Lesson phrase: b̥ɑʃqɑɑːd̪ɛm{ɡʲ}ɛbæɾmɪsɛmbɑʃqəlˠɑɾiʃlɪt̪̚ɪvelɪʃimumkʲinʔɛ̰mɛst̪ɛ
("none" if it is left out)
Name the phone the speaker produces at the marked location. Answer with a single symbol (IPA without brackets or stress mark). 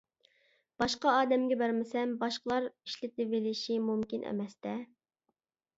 ɡʲ